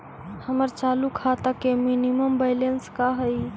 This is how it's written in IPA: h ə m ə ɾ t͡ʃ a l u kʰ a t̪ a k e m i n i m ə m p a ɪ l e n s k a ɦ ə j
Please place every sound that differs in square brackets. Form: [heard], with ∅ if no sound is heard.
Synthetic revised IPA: h ə m ə ɾ t͡ʃ a l u kʰ a t̪ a k e m i n i m ə m [b] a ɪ l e n s k a ɦ ə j